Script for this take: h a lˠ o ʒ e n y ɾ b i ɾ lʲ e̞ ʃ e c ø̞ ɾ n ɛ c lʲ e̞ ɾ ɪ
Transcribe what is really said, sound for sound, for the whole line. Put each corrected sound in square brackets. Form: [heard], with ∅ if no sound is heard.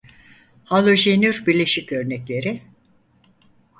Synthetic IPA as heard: h a lˠ o ʒ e n y ɾ b i ɾ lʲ e̞ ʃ [i] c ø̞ ɾ n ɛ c lʲ e̞ ɾ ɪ